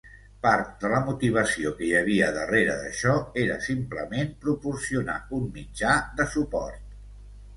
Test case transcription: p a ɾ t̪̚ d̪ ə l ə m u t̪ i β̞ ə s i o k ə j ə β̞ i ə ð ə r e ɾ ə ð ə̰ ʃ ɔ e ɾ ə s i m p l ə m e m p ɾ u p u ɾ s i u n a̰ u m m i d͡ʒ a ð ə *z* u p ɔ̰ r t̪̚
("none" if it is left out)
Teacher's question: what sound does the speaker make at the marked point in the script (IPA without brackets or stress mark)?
s